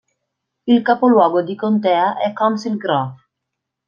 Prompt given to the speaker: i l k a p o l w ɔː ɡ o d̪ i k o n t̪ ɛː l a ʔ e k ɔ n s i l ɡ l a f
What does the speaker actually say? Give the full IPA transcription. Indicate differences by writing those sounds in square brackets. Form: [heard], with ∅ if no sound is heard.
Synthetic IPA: i l k a p o l w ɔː ɡ o d̪ i k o n t̪ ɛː [∅] a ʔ [ɛ] k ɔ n s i l ɡ [ɾ] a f